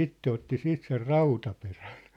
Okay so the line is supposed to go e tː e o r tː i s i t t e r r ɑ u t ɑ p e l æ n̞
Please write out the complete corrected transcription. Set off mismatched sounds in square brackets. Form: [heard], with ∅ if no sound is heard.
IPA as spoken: [i] tː e o [∅] tː i s [iː] t [s] e r r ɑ u t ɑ p e [r] æ n̞

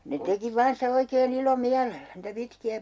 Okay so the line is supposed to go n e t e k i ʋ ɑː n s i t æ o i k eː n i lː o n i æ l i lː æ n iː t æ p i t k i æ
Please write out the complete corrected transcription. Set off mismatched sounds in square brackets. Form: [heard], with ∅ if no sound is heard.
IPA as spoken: n e t e k i ʋ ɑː n s i t æ o i k eː n i [l] o [m] i æ l [e] lː æ n iː t æ p i t k i æ

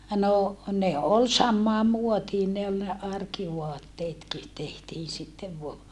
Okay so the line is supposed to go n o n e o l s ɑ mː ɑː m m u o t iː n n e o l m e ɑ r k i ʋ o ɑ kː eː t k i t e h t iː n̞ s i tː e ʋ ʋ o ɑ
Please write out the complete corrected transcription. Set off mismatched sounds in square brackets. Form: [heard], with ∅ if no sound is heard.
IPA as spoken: n o n e o l s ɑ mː ɑː m m u o t iː n n e o l [n] e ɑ r k i ʋ o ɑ [tː] eː t k i t e h t iː n̞ s i tː e ʋ ʋ o ɑ

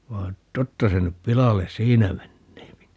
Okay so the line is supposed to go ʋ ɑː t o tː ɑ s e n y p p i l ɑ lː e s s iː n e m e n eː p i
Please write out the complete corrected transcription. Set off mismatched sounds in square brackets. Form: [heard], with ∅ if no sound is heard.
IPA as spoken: ʋ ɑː t o tː ɑ s e n y p p i l ɑ [l] e s s iː n [æ] m e [nː] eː p i

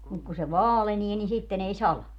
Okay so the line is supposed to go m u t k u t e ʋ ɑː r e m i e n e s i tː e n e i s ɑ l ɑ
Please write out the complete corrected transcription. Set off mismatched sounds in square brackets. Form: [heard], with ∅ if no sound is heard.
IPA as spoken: m u [k] k u [s] e ʋ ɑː [l] e [n] i e n [i] s i tː e n e i s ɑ l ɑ

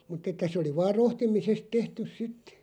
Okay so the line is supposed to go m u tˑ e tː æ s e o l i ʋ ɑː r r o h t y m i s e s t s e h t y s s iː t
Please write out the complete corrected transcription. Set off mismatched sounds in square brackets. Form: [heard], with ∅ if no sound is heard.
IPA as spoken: m u tˑ e tː æ s e o l i ʋ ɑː r r o h t [i] m i s e s t [t] e h t y s s [i] t

